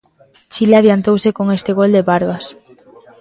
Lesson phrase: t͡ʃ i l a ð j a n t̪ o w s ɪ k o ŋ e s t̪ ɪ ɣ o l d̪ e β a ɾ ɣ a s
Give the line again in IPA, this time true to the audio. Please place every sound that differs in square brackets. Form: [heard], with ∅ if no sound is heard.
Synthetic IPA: t͡ʃ i l a ð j a n t̪ o w s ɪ k o ŋ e s t̪ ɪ ɣ o l d̪ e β a ɾ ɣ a s